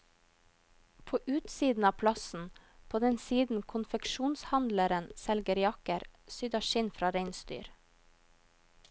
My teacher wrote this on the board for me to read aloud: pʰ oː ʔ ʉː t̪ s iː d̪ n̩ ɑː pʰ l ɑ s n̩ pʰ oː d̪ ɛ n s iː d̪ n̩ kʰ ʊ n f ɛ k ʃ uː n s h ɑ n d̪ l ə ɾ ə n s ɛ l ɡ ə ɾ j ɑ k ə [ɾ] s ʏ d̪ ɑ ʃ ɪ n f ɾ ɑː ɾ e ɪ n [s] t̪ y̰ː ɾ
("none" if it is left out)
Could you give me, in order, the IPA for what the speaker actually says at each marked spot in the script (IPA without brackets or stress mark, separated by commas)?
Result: ɾ, s